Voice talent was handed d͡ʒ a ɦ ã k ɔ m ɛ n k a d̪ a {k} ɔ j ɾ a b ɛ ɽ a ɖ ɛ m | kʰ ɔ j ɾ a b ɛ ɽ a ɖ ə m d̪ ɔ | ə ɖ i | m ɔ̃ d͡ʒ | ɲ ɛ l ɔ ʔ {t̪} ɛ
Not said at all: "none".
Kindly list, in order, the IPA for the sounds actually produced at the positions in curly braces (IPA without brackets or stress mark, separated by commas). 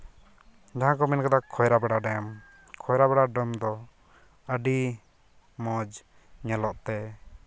kʰ, t̪